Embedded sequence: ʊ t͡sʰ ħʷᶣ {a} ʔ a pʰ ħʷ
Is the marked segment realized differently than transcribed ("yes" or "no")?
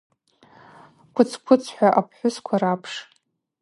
no